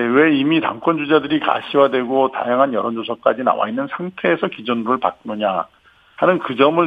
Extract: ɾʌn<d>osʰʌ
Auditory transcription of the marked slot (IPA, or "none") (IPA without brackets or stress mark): d͡ʑ